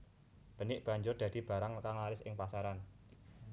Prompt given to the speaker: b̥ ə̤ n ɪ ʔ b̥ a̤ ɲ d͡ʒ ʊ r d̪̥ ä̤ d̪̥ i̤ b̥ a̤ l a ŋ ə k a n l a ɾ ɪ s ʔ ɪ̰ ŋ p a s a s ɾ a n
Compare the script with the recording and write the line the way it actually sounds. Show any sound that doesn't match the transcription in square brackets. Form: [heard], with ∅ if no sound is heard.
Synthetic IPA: b̥ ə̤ n ɪ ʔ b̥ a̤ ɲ d͡ʒ ʊ r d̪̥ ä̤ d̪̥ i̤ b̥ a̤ [ɾ] a ŋ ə k a [ŋ] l a ɾ ɪ s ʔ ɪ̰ ŋ p a s a [∅] ɾ a n

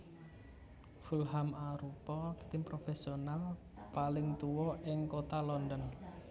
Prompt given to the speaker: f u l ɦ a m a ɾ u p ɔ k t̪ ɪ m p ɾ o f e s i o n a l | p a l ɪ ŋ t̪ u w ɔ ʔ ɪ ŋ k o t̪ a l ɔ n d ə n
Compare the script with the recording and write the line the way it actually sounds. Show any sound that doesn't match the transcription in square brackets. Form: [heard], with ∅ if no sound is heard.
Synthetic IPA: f u l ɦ a m a ɾ u p ɔ k t̪ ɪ m p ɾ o f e s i o n a l | p a l ɪ ŋ t̪ u w ɔ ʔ ɪ ŋ k o t̪ a l ɔ n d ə n

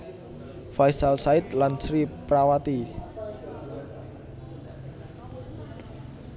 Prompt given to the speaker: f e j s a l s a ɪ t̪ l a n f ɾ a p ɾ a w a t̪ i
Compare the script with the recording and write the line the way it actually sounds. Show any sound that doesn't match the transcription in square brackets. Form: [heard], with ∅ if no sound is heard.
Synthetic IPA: f [a] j s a l s a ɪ t̪ l a n [s] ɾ [i] p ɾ a w a t̪ i

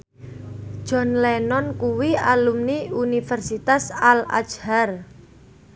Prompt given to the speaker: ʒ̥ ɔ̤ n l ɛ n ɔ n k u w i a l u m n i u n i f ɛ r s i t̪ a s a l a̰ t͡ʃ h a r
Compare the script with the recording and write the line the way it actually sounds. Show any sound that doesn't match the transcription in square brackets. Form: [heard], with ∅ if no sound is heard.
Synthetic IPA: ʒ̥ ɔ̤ n l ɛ n ɔ n k u w i a l u m n i u n i f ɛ r s i t̪ a s a l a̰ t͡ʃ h a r

